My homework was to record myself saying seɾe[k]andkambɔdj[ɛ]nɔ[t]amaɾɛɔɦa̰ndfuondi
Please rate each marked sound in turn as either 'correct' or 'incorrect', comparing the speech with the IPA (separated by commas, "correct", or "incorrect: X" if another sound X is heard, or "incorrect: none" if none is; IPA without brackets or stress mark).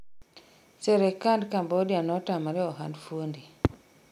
correct, incorrect: a, correct